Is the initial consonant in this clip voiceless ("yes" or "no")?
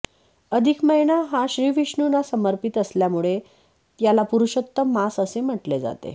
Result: no